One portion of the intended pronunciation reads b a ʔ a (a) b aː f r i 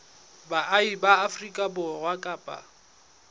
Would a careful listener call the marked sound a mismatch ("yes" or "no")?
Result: yes